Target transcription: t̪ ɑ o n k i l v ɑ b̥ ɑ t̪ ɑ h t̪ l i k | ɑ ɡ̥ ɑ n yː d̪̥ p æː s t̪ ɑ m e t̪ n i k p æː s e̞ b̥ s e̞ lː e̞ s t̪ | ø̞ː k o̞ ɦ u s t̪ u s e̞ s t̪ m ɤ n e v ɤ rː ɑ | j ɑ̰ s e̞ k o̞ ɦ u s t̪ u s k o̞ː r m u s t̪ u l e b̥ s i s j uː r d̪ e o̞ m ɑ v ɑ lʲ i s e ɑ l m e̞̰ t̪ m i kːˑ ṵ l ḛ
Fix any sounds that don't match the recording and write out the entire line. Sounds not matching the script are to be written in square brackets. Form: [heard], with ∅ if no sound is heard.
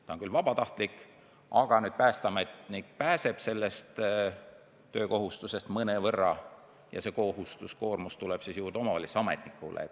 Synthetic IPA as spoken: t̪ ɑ o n k [y] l v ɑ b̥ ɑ t̪ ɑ h t̪ l i k | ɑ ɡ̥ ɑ n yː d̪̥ p æː s t̪ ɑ m e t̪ n i k p æː s e̞ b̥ s e̞ lː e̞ s t̪ | ø̞ː k o̞ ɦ u s t̪ u s e̞ s t̪ m ɤ n e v ɤ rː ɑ | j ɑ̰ s e̞ k o̞ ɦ u s t̪ u s k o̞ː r m u s t̪ u l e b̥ s i s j uː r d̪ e o̞ m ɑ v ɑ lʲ i s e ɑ [∅] m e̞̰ t̪ [n] i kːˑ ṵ l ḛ